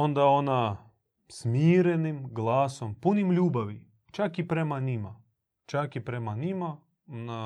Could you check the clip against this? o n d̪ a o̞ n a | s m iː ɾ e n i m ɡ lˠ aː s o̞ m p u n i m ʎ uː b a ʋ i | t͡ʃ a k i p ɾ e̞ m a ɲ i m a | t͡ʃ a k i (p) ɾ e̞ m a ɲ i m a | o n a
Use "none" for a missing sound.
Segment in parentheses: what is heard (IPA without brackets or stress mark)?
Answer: p